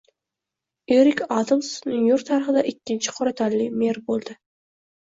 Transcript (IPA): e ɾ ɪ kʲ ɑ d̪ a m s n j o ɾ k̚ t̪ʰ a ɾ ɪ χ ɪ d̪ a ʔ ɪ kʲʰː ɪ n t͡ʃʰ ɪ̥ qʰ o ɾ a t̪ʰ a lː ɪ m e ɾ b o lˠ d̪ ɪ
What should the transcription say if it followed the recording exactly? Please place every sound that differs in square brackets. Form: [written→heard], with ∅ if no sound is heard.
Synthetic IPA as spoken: e ɾ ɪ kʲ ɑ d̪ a m s n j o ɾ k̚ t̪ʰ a ɾ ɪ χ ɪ d̪ a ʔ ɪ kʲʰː ɪ n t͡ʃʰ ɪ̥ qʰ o ɾ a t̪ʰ a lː ɪ m e ɾ b o lˠ d̪ ɪ